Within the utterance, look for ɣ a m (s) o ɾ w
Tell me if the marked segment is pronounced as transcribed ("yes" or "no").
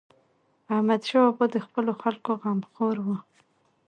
no